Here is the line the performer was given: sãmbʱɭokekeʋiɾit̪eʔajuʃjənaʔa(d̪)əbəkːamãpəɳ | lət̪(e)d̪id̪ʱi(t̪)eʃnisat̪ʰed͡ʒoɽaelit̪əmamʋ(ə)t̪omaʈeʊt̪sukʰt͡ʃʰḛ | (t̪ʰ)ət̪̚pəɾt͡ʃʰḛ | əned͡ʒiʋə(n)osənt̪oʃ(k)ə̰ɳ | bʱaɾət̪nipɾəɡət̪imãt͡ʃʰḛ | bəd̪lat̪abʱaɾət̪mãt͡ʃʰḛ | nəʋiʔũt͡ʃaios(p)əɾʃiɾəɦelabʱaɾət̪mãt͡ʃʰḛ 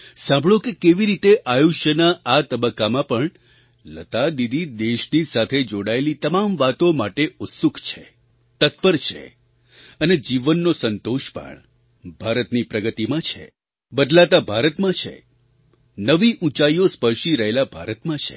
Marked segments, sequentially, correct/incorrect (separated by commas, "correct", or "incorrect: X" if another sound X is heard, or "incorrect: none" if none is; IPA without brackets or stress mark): incorrect: t̪, incorrect: a, incorrect: d̪, incorrect: a, incorrect: t̪, incorrect: nː, incorrect: p, correct